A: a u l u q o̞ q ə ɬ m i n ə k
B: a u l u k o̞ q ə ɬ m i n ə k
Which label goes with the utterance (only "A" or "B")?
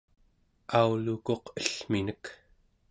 B